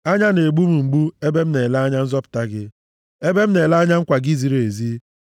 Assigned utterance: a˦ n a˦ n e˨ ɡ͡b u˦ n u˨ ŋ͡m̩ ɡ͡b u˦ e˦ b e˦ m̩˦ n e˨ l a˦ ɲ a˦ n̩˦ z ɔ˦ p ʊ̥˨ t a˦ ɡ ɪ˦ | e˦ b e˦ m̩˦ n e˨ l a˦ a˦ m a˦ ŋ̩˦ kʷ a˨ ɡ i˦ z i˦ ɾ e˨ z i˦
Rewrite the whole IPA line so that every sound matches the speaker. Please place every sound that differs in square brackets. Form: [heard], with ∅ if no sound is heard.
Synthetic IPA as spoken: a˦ [ɲ] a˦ n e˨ ɡ͡b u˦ [m] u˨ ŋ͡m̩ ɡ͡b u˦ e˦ b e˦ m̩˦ n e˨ l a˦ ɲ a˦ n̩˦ z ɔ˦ p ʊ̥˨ t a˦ ɡ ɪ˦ | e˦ b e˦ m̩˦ n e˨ l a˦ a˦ [ɲ] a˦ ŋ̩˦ kʷ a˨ ɡ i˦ z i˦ ɾ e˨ z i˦